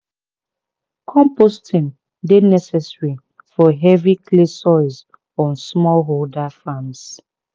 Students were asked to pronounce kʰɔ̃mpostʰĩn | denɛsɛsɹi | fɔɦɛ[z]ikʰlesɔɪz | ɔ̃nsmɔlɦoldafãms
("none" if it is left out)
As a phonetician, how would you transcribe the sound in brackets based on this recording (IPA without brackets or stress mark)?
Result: v